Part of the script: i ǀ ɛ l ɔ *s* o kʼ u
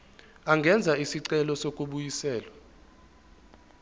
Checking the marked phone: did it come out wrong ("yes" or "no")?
no